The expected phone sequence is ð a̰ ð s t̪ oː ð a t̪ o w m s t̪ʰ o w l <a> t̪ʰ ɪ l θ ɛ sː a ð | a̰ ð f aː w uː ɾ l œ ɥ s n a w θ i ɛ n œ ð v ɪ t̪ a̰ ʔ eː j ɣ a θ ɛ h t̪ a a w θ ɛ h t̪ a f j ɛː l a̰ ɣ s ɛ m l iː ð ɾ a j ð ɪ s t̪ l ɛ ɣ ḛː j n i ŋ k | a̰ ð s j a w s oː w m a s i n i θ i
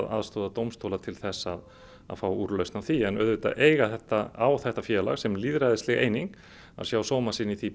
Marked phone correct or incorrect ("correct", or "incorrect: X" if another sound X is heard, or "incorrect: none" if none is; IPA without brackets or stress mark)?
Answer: correct